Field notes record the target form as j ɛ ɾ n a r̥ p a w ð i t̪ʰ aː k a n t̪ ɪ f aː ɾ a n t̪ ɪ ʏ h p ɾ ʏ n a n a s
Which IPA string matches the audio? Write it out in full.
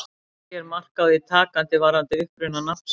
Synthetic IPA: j ɛ ɾ m a r̥ k a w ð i t̪ʰ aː k a n t̪ ɪ v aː ɾ a n t̪ ɪ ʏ h p ɾ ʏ n a n a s